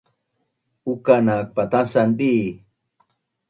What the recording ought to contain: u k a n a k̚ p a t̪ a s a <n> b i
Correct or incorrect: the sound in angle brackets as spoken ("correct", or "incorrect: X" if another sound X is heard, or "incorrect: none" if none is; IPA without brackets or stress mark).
correct